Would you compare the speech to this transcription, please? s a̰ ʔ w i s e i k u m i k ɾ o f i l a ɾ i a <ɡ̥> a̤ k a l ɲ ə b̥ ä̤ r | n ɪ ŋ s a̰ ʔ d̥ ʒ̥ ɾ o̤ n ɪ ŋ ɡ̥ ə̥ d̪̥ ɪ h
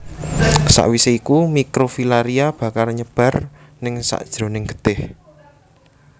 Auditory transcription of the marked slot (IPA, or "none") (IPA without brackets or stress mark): b̥